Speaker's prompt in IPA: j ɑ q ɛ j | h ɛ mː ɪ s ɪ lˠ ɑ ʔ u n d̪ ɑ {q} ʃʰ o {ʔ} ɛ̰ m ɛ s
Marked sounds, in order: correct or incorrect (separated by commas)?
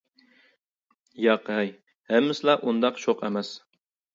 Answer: correct, incorrect